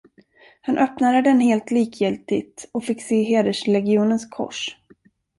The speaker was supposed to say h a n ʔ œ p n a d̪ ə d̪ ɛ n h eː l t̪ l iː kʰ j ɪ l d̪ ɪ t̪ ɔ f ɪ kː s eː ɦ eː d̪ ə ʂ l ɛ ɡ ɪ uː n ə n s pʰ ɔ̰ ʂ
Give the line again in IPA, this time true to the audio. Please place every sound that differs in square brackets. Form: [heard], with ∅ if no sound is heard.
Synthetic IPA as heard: h a n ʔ œ p n a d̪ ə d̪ ɛ n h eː l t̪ l iː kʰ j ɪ l [t̪] ɪ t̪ ɔ f ɪ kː s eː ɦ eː d̪ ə ʂ l ɛ ɡ ɪ uː n ə n s [kʰ] ɔ̰ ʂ